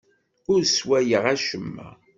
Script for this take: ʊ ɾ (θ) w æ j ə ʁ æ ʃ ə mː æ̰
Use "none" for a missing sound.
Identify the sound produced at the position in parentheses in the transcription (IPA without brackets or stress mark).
s